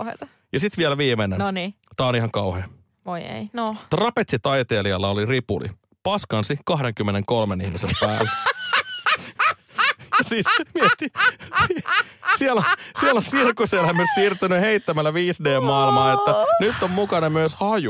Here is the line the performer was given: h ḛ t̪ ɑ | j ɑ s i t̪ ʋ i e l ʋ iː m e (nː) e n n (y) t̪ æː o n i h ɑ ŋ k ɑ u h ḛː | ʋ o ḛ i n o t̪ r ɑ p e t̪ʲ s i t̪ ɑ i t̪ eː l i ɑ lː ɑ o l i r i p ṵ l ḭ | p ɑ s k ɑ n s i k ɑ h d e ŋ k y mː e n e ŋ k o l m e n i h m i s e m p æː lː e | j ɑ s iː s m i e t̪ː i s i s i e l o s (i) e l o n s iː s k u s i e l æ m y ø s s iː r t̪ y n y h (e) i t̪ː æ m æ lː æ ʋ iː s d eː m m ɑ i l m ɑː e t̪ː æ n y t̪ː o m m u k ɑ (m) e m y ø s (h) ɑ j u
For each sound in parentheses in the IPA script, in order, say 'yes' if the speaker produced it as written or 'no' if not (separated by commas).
no, no, yes, yes, no, yes